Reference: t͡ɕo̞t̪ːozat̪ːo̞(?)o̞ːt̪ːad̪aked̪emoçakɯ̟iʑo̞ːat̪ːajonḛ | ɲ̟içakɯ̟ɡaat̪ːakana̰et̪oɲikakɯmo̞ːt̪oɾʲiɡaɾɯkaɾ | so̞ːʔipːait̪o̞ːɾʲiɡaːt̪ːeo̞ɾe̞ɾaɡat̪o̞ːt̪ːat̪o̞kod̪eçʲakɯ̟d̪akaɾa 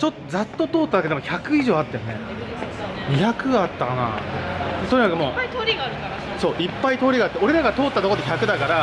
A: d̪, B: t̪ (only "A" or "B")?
B